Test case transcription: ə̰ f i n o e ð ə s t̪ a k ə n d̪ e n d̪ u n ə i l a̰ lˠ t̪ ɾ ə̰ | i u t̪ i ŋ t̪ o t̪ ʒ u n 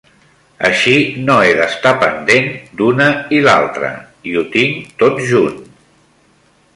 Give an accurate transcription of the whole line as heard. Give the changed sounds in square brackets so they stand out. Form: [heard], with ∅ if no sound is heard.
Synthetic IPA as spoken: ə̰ [ʃ] i n o e ð ə s t̪ a [p] ə n d̪ e n d̪ u n ə i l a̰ lˠ t̪ ɾ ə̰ | i u t̪ i ŋ t̪ o t̪ ʒ u n

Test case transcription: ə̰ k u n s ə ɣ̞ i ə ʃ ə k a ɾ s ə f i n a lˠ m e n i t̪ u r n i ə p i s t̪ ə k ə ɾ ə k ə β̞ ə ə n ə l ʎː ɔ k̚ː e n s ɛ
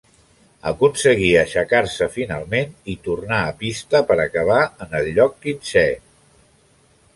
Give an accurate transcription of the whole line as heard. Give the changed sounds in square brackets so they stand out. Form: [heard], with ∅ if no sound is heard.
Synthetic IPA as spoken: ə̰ k u n s ə ɣ̞ i ə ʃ ə k a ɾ s ə f i n a lˠ m e n i t̪ u r n [a] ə p i s t̪ ə [p] ə ɾ ə k ə β̞ [a] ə n ə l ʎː ɔ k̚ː [i] n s ɛ

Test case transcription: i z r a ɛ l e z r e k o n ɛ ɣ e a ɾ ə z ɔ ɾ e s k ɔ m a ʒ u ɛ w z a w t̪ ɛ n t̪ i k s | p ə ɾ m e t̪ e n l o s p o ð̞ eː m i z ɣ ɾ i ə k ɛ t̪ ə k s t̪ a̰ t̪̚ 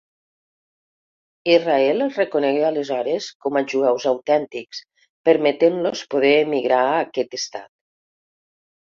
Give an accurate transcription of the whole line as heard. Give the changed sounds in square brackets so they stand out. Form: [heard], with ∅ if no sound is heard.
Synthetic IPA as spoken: i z r a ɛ l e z r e k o n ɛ ɣ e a [l] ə z ɔ ɾ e s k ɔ m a ʒ u ɛ w z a w t̪ ɛ n t̪ i k s | p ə ɾ m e t̪ e n l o s p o ð̞ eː m i [∅] ɣ ɾ [a] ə k ɛ t̪ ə [∅] s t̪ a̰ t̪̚

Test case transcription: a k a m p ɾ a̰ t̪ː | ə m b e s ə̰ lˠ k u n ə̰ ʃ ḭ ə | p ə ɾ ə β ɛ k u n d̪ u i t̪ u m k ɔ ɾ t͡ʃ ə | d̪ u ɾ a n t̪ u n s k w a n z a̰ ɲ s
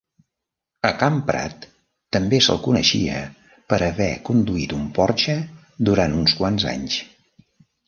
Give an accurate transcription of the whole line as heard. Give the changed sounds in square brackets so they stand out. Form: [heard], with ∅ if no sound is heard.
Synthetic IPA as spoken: [ə] k a m p ɾ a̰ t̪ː | ə m b e s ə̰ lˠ k u n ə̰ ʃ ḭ ə | p ə ɾ ə β ɛ k u n d̪ u i t̪ u m [p] ɔ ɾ t͡ʃ ə | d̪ u ɾ a n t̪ u n s k w a n z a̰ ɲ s

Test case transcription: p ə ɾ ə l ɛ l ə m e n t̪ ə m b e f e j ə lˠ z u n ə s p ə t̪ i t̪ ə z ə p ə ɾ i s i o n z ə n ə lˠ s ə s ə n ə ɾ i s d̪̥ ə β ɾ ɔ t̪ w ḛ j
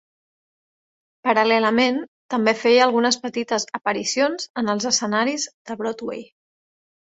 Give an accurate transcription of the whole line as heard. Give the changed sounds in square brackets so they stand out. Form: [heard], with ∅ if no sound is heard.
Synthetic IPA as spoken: p ə ɾ ə l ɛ l ə m e n t̪ ə m b e f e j ə lˠ [ɣ] u n ə s p ə t̪ i t̪ ə z ə p ə ɾ i s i o n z ə n ə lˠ [z] ə s ə n [a] ɾ i [z] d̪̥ ə β ɾ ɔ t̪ w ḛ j

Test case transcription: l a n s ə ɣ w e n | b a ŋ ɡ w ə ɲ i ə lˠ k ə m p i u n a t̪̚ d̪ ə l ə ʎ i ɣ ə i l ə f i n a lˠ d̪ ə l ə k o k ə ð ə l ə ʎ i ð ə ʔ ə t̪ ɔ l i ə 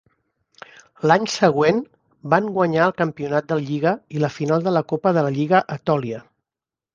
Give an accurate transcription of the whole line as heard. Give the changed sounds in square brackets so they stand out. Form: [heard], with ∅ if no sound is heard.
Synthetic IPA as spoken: l a [ɲ] s ə ɣ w e n | b a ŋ ɡ w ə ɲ [a] ə lˠ k ə m p i u n a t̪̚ d̪ ə l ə ʎ i ɣ ə i l ə f i n a lˠ d̪ ə l ə k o [p] ə ð ə l ə ʎ i [ɣ] ə ʔ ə t̪ ɔ l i ə

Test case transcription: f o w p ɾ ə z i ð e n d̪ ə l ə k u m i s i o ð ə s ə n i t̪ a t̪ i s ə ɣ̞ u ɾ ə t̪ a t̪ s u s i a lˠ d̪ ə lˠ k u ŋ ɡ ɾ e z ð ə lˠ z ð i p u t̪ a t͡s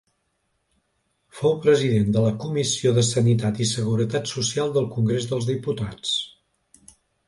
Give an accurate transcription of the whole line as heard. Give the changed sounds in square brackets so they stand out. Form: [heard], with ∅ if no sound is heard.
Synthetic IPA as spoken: f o w p ɾ ə z i ð e n d̪ ə l ə k u m i s i o ð ə s ə n i t̪ a t̪ i s ə ɣ̞ u ɾ ə t̪ a t̪ s u s i a lˠ d̪ ə lˠ k u ŋ ɡ ɾ e z ð ə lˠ z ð i p u t̪ a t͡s

